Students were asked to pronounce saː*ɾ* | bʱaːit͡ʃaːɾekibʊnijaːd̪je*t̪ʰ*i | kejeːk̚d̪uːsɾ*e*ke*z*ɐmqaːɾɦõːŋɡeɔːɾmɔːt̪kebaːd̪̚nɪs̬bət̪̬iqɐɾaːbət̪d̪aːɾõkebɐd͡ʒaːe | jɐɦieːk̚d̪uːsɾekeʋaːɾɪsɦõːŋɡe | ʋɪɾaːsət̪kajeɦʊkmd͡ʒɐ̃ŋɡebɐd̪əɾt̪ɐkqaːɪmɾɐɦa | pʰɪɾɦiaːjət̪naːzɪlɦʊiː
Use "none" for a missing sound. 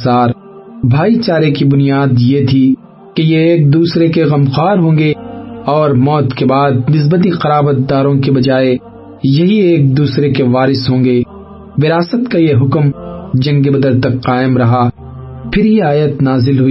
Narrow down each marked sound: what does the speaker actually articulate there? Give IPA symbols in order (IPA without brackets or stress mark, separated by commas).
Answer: ɾ, t̪ʰ, e, ɣ